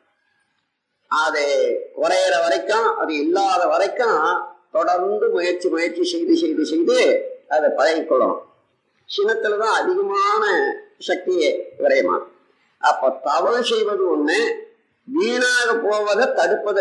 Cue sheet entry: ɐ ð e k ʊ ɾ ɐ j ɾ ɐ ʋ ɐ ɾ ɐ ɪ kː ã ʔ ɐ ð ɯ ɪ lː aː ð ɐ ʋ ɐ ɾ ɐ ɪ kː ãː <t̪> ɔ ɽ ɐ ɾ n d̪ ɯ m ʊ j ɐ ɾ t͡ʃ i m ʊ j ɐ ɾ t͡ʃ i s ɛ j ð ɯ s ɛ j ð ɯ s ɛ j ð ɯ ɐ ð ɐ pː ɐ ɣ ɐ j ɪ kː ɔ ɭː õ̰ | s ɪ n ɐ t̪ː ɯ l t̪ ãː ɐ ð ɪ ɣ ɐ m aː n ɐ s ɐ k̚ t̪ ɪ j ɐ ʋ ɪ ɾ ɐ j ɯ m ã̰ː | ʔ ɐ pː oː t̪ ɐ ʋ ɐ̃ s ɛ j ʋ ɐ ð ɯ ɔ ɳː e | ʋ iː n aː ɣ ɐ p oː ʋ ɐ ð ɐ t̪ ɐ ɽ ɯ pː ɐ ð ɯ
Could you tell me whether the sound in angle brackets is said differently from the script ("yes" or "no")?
no